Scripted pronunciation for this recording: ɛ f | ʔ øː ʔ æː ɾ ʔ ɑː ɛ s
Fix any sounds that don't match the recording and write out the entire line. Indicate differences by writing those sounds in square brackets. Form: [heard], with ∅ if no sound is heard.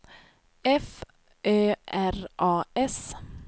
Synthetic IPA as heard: ɛ f | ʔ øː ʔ [æ] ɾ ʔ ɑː ɛ s